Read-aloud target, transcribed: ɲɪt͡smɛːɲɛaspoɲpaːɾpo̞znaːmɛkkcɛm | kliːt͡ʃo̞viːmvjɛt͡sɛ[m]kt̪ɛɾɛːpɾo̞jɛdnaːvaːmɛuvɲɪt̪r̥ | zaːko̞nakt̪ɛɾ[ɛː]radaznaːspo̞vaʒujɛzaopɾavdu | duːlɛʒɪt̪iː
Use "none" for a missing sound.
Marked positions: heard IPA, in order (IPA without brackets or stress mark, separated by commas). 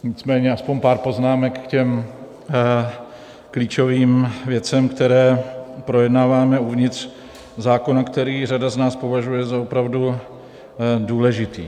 m, iː